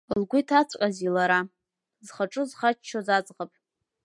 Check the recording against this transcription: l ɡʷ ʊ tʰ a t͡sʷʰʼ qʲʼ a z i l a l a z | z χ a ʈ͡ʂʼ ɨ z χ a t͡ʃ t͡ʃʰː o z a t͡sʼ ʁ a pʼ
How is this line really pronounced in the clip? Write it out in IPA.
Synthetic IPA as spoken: l ɡʷ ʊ tʰ a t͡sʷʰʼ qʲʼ a z i l a ɾ a | z χ a ʈ͡ʂʼ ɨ z χ a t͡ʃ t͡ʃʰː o z a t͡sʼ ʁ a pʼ